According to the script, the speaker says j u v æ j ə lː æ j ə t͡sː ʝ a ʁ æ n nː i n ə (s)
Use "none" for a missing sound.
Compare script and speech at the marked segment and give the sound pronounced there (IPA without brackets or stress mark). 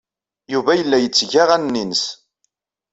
s